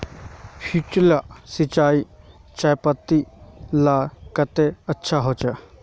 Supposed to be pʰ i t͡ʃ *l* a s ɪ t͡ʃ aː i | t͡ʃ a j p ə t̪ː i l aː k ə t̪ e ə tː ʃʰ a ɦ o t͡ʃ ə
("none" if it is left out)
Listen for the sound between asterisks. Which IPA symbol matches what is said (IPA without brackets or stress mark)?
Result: l